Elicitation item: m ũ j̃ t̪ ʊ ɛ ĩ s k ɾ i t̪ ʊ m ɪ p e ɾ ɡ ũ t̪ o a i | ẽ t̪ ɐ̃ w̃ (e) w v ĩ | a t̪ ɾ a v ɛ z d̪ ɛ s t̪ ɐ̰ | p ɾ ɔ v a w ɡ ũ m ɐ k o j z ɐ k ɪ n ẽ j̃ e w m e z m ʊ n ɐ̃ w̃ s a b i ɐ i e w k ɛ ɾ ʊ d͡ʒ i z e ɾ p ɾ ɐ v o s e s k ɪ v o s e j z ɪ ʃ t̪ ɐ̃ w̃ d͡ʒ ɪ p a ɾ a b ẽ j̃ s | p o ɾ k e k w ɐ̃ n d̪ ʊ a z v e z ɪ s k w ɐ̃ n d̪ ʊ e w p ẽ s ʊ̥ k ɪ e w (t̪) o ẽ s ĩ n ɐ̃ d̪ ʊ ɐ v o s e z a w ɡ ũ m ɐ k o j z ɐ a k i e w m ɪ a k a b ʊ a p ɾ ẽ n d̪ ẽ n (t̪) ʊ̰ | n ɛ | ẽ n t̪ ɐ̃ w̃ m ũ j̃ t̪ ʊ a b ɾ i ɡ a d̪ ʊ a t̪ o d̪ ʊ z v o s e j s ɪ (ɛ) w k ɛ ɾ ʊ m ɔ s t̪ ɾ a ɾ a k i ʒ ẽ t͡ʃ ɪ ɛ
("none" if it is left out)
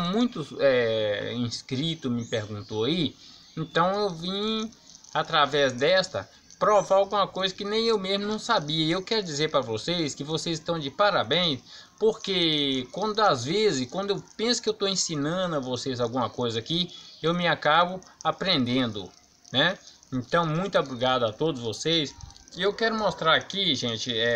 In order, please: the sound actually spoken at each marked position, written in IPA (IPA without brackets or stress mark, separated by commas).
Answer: e, t̪, d̪, e